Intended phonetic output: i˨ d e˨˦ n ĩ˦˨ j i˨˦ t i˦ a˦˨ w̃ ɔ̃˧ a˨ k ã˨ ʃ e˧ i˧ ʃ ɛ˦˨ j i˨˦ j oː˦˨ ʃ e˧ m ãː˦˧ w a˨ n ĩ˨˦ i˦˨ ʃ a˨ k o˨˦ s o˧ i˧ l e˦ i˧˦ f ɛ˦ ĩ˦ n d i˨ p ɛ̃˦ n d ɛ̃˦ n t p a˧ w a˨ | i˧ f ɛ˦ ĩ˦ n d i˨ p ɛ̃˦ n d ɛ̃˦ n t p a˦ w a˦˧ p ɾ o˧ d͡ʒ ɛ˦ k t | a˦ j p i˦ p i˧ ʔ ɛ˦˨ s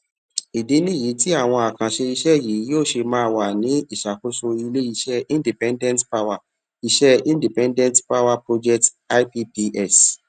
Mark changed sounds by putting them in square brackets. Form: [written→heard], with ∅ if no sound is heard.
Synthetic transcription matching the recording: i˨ d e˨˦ n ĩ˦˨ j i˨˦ t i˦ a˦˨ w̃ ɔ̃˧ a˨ k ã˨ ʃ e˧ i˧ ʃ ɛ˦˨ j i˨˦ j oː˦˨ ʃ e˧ m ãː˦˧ w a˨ n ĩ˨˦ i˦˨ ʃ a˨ k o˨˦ s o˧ i˧ l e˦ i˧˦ [f→ʃ] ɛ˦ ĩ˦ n d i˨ p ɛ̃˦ n d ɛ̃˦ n t p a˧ w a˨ | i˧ [f→ʃ] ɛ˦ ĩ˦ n d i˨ p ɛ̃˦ n d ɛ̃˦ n t p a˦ w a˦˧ p ɾ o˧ d͡ʒ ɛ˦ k t | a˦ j p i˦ p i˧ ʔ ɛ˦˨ s